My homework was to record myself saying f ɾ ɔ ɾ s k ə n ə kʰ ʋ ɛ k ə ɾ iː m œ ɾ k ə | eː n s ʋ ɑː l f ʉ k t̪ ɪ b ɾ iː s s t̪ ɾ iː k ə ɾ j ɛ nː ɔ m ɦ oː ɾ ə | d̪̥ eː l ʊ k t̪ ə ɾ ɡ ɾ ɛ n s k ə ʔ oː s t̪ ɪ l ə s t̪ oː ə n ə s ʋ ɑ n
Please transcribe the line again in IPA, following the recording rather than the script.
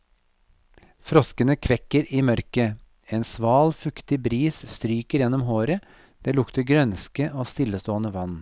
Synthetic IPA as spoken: f ɾ ɔ s k ə n ə kʰ ʋ ɛ k ə ɾ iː m œ ɾ k ə | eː n s ʋ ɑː l f ʉ k t̪ ɪ b ɾ iː s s t̪ ɾ yː k ə ɾ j ɛ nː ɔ m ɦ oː ɾ ə | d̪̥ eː l ʊ k t̪ ə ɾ ɡ ɾ œ n s k ə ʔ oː s t̪ ɪ l ə s t̪ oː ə n ə ʋ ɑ n